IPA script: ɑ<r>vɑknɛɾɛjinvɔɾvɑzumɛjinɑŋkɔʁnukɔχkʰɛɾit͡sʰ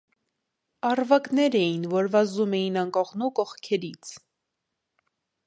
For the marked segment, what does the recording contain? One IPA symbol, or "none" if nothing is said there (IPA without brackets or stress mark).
r